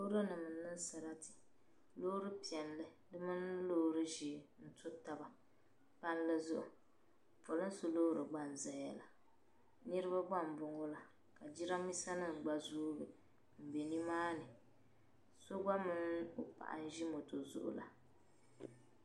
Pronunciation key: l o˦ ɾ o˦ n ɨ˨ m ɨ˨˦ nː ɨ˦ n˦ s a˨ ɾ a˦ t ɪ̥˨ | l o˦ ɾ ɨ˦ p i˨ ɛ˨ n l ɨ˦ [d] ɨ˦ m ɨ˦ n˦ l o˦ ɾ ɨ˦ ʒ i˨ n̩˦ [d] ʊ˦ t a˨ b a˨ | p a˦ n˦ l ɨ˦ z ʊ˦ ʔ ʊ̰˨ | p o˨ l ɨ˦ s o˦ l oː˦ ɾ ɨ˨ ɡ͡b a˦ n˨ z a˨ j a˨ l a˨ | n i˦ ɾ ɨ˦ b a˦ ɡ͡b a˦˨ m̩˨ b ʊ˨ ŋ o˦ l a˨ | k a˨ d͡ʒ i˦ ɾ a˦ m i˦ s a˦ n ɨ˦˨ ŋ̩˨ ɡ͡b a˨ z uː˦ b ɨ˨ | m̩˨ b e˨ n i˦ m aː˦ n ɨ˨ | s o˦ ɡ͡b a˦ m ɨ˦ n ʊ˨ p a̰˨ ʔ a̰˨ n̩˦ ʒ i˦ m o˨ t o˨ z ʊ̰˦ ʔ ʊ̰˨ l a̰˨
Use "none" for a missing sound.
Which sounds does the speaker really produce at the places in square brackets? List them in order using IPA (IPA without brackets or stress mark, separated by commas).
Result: d, t